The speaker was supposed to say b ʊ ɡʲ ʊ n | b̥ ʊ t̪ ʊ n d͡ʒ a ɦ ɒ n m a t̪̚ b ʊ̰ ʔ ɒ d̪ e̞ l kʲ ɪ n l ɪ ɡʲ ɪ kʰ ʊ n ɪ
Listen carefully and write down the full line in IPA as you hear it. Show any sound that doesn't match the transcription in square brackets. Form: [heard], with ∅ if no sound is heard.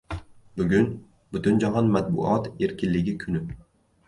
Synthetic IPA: b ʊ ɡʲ ʊ n | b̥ ʊ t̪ ʊ n d͡ʒ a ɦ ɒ n m a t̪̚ b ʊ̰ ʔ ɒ [t̪] e̞ [ɾ] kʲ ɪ n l ɪ ɡʲ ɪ kʰ ʊ n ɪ

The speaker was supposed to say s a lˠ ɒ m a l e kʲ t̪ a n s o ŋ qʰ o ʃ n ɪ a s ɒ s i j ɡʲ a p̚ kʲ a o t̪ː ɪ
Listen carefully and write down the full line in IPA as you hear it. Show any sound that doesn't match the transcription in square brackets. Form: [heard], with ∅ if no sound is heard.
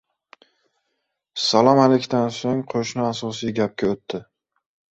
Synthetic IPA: s a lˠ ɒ m a l e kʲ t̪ a n s o ŋ qʰ o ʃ n ɪ a s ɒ s i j ɡʲ a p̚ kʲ a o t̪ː ɪ

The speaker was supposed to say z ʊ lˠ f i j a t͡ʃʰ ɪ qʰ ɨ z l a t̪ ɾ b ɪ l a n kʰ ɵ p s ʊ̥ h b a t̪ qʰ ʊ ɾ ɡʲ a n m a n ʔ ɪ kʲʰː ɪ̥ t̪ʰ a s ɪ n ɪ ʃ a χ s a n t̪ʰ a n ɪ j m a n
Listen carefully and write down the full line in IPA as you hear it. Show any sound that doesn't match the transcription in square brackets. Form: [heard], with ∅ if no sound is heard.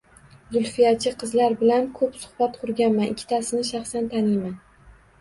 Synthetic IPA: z ʊ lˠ f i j a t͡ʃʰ ɪ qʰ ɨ z l a [∅] ɾ b ɪ l a n kʰ ɵ p s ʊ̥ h b a t̪ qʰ ʊ ɾ ɡʲ a n m a n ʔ ɪ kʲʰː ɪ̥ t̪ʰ a s ɪ n ɪ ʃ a χ s a n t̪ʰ a n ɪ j m a n

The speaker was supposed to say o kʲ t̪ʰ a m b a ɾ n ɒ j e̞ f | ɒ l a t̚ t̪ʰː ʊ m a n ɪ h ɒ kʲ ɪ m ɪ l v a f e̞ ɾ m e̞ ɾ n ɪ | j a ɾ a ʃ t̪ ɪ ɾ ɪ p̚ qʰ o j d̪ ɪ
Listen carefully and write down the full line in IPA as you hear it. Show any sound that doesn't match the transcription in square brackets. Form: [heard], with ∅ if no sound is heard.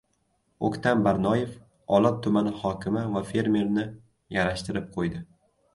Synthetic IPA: o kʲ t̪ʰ a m b a ɾ n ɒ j e̞ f | ɒ l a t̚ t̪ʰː ʊ m a n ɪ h ɒ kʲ ɪ m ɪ [∅] v a f e̞ ɾ m e̞ ɾ n ɪ | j a ɾ a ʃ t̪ ɪ ɾ ɪ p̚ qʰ o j d̪ ɪ

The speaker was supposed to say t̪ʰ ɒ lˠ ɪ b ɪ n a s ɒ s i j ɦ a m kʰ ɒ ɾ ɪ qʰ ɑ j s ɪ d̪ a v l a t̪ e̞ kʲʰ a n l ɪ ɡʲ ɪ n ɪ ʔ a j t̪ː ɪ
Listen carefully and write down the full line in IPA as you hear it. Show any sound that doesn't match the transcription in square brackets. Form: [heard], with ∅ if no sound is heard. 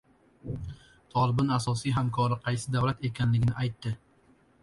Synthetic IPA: t̪ʰ ɒ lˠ ɪ b ɪ n a s ɒ s i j ɦ a m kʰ ɒ ɾ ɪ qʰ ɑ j s ɪ d̪ a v l a t̪ e̞ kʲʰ a n l ɪ ɡʲ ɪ n ɪ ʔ a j t̪ː ɪ

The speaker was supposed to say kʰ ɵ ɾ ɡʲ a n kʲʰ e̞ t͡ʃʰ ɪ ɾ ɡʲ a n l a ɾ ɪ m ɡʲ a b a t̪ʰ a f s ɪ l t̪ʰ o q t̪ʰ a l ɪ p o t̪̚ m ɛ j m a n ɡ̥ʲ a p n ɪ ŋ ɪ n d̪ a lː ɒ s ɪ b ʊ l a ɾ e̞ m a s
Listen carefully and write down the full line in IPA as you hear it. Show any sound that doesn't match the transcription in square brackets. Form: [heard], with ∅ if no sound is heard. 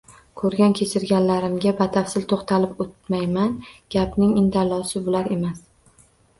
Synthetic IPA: kʰ ɵ ɾ ɡʲ a n kʲʰ e̞ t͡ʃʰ ɪ ɾ ɡʲ a n l a ɾ ɪ m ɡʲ a b a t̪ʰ a f s ɪ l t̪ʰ o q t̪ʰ a l ɪ p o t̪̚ m [a] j m a n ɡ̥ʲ a p n ɪ ŋ ɪ n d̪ a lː ɒ s ɪ b ʊ l a ɾ e̞ m a s

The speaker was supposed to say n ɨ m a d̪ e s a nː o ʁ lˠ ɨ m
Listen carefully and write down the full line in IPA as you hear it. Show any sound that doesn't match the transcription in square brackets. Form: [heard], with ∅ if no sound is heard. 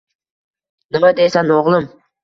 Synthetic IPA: n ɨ m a d̪ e s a [n] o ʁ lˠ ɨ m

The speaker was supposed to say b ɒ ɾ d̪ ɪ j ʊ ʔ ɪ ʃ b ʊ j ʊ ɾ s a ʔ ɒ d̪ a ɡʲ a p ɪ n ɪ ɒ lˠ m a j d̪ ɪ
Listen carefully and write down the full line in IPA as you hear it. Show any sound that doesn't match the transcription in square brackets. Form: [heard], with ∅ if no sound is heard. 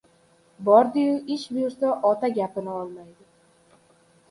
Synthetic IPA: b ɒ ɾ d̪ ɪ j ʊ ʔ ɪ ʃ b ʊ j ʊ ɾ s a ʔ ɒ [t̪] a ɡʲ a p ɪ n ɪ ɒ lˠ m a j d̪ ɪ

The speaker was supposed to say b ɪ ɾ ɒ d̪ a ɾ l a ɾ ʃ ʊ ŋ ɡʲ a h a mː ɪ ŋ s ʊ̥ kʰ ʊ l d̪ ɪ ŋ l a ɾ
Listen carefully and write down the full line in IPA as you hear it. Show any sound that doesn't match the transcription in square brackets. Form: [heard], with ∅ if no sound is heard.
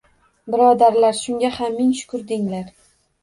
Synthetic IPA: b ɪ ɾ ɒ d̪ a ɾ l a ɾ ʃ ʊ ŋ ɡʲ a h a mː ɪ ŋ [ʃ] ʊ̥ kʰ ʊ [ɾ] d̪ ɪ ŋ l a ɾ

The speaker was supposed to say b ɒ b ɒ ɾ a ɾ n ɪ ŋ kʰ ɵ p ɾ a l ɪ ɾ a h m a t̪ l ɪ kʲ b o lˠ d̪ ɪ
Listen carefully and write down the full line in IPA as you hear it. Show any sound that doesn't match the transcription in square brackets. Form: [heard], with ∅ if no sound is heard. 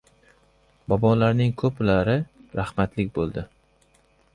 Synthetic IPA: b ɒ b ɒ [l] a ɾ n ɪ ŋ kʰ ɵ p [l] a [ɾ] ɪ ɾ a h m a t̪ l ɪ kʲ b o lˠ d̪ ɪ

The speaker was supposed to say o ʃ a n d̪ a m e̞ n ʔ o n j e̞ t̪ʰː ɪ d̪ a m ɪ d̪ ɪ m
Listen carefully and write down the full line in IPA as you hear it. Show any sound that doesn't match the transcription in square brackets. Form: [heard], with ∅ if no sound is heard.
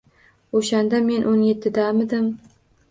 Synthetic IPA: o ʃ a n d̪ a m e̞ n ʔ o n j e̞ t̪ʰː ɪ d̪ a m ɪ d̪ ɪ m

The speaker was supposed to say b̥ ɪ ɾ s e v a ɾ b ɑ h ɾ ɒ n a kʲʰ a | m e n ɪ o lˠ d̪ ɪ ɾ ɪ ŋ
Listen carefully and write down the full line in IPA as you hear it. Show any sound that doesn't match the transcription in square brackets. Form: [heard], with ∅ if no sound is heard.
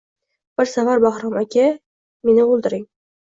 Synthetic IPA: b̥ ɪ ɾ s [a] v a ɾ b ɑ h ɾ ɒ [m] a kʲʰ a | m e n ɪ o lˠ d̪ ɪ ɾ ɪ ŋ

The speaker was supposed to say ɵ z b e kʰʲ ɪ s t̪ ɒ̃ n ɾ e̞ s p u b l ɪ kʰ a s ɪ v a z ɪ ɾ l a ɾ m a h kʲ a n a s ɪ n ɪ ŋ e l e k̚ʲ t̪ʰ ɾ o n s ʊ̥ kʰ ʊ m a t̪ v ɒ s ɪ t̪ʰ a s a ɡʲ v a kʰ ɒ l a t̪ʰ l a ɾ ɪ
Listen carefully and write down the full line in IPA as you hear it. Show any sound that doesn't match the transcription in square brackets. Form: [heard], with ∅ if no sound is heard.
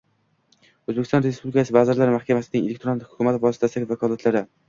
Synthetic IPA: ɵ z b e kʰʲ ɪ s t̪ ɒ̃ n ɾ e̞ s p u b l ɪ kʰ a s ɪ v a z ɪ ɾ l a ɾ m a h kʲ a [m] a s ɪ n ɪ ŋ e l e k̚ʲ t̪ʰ ɾ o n [h] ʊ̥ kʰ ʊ m a t̪ v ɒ s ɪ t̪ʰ a s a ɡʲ v a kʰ ɒ l a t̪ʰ l a ɾ ɪ

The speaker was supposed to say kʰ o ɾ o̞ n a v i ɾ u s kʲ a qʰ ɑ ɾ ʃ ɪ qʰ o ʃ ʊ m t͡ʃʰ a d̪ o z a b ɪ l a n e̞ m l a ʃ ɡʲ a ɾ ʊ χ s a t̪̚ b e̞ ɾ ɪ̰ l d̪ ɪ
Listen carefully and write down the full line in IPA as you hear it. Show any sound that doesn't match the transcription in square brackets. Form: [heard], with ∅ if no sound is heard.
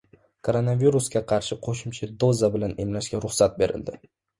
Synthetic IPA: kʰ o ɾ o̞ n a v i ɾ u s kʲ a qʰ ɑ ɾ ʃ ɪ qʰ o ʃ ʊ m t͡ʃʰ a d̪ o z a b ɪ l a n e̞ m l a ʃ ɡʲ a ɾ ʊ χ s a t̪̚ b e̞ ɾ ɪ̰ l d̪ ɪ

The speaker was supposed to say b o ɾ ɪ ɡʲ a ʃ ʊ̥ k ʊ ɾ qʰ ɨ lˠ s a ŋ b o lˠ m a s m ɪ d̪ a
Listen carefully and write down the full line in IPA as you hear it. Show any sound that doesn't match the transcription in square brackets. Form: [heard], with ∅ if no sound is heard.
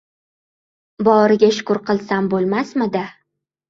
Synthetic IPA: b [ɒ] ɾ ɪ ɡʲ a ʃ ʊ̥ k ʊ ɾ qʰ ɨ lˠ s a [m] b o lˠ m a s m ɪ d̪ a

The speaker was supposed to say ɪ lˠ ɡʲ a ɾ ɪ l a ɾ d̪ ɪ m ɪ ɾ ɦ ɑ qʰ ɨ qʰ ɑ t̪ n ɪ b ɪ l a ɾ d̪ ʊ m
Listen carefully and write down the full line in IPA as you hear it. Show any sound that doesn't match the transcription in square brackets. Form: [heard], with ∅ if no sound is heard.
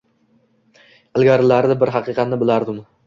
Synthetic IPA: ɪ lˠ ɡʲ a ɾ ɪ l a ɾ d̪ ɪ [b] ɪ ɾ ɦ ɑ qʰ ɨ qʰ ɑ t̪ n ɪ b ɪ l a ɾ d̪ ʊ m

